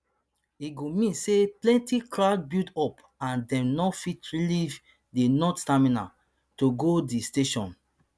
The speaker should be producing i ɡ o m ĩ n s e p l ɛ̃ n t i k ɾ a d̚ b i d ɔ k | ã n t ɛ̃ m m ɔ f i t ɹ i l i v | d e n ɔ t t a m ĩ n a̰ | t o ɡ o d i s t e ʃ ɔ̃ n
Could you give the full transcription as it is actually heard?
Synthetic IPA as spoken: i ɡ o m ĩ n s e p l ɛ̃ n t i k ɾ a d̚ b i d ɔ p | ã n d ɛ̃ m n ɔ f i t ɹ i l i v | d e n ɔ t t a m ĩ n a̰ | t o ɡ o d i s t e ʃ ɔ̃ n